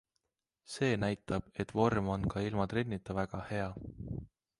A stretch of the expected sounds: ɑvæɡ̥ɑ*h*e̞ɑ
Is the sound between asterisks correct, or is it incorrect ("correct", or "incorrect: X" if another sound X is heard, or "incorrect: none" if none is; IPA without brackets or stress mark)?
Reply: correct